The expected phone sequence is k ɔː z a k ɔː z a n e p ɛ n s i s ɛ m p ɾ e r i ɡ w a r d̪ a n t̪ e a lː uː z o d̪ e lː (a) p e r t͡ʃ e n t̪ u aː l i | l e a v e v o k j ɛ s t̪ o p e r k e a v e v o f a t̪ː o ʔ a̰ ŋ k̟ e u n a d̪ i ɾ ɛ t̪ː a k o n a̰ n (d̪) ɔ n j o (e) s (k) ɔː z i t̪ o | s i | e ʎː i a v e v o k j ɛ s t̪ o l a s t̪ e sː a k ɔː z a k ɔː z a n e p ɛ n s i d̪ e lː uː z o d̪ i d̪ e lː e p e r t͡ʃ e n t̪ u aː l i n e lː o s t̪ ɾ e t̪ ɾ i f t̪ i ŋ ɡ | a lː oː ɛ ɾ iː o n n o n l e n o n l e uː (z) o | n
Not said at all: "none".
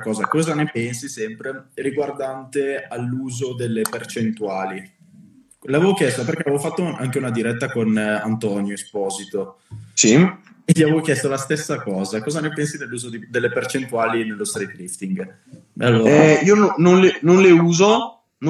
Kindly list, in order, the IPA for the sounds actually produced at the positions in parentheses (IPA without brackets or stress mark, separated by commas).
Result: e, t̪, e, p, z